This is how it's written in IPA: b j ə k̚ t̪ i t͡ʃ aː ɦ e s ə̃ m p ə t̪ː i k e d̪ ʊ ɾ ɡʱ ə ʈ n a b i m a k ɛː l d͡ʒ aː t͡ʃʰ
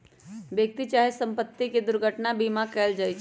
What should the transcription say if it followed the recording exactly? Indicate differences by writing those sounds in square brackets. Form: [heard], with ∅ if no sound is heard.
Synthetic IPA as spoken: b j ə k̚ t̪ i t͡ʃ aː ɦ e s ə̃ m p ə t̪ː i k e d̪ ʊ ɾ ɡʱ ə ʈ n a b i m a k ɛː l d͡ʒ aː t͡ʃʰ